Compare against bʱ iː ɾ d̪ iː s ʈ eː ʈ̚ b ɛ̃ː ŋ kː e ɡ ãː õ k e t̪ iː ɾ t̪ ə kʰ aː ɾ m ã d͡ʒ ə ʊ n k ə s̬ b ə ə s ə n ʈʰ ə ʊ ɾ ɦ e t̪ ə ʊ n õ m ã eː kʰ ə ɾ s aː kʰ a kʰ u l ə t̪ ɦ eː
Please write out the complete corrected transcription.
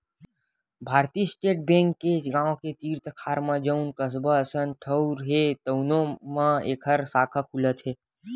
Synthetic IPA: bʱ aː ɾ t̪ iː s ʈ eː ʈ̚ b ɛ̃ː ŋ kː e ɡ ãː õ k e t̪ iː ɾ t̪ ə kʰ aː ɾ m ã d͡ʒ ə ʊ n k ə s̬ b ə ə s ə n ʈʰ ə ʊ ɾ ɦ e t̪ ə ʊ n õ m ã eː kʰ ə ɾ s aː kʰ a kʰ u l ə t̪ ɦ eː